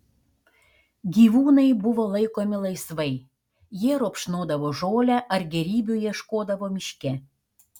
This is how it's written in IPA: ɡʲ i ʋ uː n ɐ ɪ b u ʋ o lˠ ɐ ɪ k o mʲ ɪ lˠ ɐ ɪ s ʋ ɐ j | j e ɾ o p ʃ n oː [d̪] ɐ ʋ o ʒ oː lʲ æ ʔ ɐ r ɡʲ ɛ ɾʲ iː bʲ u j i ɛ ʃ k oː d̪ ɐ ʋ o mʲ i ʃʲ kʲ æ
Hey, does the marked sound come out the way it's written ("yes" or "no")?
yes